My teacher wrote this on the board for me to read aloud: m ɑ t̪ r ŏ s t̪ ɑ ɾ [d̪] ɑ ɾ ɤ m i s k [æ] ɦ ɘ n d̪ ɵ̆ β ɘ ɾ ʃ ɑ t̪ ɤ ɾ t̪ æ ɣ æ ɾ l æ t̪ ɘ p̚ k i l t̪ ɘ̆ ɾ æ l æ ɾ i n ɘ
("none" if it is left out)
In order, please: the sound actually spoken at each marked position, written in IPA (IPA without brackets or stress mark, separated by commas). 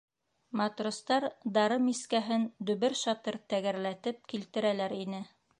d̪, æ